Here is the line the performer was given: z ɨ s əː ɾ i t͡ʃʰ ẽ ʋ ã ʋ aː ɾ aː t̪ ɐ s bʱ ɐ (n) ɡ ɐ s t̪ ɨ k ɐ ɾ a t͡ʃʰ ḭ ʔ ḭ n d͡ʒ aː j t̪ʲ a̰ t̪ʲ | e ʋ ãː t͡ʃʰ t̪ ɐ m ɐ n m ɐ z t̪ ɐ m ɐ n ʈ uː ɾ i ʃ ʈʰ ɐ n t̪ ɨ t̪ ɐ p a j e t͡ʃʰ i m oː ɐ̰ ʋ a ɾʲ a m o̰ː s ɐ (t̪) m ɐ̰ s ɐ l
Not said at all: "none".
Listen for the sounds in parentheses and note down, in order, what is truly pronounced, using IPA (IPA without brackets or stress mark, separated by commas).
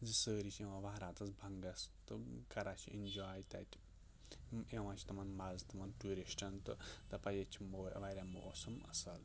ŋ, none